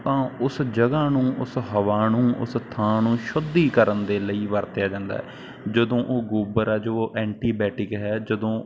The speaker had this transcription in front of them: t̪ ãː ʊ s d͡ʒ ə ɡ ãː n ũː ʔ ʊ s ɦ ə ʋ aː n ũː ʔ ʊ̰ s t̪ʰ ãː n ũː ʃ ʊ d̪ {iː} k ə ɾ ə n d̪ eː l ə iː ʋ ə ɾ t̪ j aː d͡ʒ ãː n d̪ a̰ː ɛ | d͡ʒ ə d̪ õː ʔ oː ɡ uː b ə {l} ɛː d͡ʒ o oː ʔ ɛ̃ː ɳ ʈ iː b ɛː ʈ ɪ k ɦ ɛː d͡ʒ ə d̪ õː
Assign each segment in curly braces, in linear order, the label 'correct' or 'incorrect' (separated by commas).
correct, incorrect